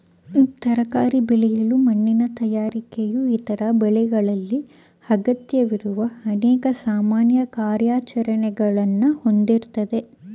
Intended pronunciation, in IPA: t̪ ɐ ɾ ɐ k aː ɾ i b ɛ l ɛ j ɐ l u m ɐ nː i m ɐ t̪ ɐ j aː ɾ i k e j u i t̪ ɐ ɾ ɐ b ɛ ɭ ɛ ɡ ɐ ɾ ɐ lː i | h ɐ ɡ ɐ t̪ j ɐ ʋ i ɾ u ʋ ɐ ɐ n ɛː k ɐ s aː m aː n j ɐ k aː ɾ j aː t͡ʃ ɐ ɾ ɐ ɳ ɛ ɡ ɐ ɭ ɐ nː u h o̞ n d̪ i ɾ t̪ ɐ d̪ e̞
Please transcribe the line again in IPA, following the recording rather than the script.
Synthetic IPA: t̪ ɐ ɾ ɐ k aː ɾ i b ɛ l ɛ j ɐ l u m ɐ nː i n ɐ t̪ ɐ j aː ɾ i k e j u i t̪ ɐ ɾ ɐ b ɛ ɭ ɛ ɡ ɐ ɭ ɐ lː i | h ɐ ɡ ɐ t̪ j ɐ ʋ i ɾ u ʋ ɐ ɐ n ɛː k ɐ s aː m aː n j ɐ k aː ɾ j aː t͡ʃ ɐ ɾ ɐ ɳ ɛ ɡ ɐ ɭ ɐ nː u h o̞ n d̪ i ɾ t̪ ɐ d̪ e̞

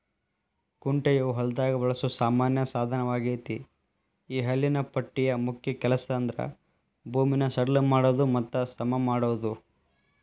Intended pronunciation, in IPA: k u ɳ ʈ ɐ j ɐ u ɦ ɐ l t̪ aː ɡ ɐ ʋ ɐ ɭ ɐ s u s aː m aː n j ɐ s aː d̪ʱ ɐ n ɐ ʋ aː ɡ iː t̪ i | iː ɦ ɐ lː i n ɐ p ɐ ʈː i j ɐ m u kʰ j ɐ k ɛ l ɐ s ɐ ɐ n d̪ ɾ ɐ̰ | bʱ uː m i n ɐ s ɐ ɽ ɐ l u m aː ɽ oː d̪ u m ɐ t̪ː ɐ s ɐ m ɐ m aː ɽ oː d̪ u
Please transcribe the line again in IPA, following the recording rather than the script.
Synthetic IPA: k u ɳ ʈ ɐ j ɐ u ɦ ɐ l d̪ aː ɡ ɐ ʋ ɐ ɭ ɐ s u s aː m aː n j ɐ s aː d̪ʱ ɐ n ɐ ʋ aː ɡ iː t̪ i | iː ɦ ɐ lː i n ɐ p ɐ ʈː i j ɐ m u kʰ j ɐ k ɛ l ɐ s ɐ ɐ n d̪ ɾ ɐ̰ | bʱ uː m i n ɐ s ɐ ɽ ɐ l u m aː ɽ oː d̪ u m ɐ t̪ː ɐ s ɐ m ɐ m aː ɽ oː d̪ u

